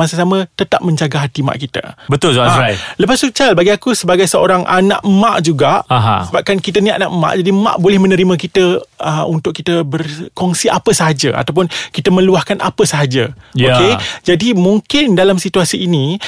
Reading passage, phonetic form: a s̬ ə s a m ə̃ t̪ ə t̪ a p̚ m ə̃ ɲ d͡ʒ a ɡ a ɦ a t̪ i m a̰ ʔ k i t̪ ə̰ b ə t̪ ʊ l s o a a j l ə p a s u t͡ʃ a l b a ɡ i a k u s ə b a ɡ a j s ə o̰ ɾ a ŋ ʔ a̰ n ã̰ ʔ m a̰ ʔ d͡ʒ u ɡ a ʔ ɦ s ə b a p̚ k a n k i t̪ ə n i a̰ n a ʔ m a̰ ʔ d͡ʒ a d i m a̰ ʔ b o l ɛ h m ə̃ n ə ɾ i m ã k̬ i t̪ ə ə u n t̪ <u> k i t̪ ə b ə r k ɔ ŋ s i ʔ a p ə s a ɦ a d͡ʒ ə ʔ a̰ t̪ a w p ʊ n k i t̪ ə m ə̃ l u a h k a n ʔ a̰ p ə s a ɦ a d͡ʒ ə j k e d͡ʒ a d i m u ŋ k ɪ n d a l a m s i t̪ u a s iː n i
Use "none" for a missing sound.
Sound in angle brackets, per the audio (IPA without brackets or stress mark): ʊ